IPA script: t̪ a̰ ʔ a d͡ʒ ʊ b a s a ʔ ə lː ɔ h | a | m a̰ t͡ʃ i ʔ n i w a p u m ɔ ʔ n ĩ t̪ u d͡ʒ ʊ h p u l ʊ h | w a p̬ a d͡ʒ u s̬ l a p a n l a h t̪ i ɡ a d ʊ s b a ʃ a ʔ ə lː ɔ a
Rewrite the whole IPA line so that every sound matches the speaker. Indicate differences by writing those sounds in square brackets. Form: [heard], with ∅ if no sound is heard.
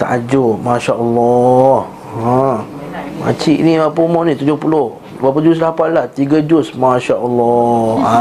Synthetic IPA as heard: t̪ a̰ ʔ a d͡ʒ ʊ [m] a [ʃ] a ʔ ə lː ɔ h | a | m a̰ t͡ʃ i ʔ n i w a p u m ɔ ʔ n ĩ t̪ u d͡ʒ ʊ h p u l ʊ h | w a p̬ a d͡ʒ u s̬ l a p a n l a h t̪ i ɡ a [d͡ʒ] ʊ s [m] a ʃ a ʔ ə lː ɔ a